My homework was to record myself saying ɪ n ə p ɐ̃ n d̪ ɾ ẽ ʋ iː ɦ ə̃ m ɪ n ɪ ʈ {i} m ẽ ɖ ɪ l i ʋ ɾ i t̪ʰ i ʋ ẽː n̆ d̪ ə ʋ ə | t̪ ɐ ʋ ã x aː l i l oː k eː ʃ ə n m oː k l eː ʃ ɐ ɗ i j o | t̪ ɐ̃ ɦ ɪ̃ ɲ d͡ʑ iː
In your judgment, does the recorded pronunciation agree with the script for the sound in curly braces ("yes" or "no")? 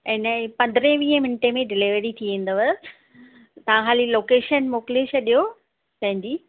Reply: no